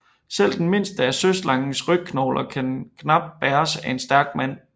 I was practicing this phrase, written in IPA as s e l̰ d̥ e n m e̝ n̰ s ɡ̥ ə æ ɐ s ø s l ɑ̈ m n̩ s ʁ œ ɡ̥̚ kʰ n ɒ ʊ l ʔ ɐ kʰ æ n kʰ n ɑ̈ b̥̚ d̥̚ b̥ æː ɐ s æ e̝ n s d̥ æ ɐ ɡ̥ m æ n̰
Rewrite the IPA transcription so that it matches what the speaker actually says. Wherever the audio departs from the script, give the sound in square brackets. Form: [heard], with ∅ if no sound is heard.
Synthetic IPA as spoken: s e l̰ d̥ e n m e̝ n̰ s [d̥] ə æ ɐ s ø s l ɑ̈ [ŋ] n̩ s ʁ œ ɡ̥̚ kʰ n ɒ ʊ l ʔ ɐ kʰ æ n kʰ n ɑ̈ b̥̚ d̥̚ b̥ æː ɐ s æ e̝ n s d̥ æ ɐ ɡ̥ m æ n̰